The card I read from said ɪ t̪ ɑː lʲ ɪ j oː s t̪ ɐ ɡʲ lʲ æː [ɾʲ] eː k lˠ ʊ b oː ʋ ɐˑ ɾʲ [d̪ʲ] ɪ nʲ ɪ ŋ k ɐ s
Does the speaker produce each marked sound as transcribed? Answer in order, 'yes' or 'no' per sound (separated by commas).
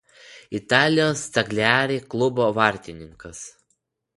yes, no